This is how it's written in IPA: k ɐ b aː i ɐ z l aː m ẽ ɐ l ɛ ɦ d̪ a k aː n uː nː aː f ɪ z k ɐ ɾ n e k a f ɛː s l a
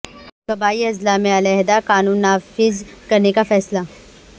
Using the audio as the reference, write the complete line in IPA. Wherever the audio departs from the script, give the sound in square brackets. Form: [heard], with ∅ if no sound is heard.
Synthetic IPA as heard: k ɐ b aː i ɐ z l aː m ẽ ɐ l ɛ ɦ d̪ a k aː n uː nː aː f ɪ z k ɐ ɾ n e k a f ɛː s l a